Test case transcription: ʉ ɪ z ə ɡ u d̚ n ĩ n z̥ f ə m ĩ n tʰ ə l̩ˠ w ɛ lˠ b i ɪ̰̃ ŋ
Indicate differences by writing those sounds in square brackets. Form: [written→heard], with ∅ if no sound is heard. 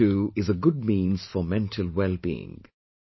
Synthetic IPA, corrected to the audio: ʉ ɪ z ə ɡ [u→ʊ] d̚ [n→m] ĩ n z̥ f ə m [ĩ→ɛ̃] n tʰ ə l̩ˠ w ɛ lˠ b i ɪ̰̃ ŋ